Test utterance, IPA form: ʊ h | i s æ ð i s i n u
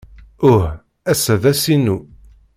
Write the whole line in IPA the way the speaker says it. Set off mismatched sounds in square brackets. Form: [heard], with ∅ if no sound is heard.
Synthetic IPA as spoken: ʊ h | [æ] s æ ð [æ] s i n u